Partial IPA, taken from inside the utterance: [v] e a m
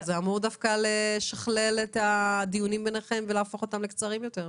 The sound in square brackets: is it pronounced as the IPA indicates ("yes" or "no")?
no